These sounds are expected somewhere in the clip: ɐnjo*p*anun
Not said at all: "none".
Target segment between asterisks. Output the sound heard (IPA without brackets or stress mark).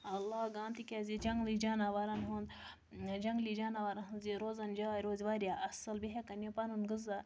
p